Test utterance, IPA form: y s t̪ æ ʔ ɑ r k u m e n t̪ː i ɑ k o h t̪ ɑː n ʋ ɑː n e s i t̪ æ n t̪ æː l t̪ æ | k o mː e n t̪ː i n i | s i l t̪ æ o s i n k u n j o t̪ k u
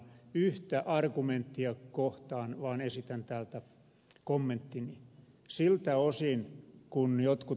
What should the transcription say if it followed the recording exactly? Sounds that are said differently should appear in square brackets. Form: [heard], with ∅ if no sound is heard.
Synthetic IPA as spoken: y [h] t̪ æ ʔ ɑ r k u m e n t̪ː i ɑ k o h t̪ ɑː n ʋ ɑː n e s i t̪ æ n t̪ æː l t̪ æ | k o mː e n t̪ː i n i | s i l t̪ æ o s i n k u n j o t̪ k u